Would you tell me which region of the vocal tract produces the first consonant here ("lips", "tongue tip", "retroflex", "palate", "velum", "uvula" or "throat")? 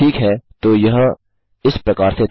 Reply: velum